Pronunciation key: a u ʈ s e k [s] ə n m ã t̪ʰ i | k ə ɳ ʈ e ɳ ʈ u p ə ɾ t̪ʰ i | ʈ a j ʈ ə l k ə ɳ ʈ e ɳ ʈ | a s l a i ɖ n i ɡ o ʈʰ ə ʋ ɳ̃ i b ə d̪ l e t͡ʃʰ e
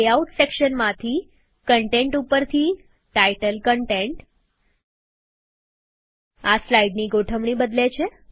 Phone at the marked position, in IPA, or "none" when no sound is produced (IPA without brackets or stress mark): ʃ